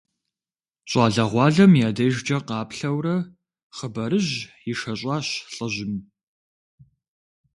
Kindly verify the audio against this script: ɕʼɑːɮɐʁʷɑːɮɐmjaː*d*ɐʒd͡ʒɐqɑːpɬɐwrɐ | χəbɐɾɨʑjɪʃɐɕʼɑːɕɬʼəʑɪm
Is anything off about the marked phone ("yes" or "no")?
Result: no